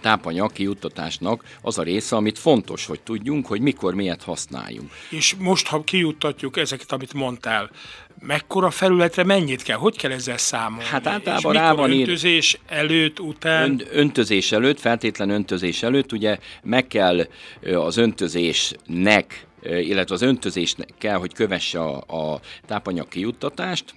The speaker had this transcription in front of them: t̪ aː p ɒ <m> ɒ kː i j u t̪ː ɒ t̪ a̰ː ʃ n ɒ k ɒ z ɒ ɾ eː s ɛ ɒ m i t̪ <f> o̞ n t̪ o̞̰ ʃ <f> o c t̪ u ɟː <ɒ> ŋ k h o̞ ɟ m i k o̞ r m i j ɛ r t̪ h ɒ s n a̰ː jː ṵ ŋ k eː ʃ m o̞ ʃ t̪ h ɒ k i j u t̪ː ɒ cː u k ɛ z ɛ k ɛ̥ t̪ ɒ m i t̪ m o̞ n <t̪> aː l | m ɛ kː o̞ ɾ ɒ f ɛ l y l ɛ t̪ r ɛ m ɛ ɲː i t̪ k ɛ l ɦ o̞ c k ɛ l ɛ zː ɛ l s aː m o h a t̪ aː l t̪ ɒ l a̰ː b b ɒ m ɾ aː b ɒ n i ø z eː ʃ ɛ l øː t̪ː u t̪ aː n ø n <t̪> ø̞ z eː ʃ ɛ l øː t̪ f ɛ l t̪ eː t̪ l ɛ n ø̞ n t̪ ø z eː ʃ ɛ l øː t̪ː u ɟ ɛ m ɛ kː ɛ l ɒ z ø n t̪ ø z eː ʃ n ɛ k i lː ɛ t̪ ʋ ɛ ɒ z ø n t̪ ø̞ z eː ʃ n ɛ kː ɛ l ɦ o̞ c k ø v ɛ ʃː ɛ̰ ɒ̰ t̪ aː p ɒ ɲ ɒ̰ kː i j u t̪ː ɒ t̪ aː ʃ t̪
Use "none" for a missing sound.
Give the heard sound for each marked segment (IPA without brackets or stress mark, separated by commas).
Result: ɲ, f, h, u, t̪, t̪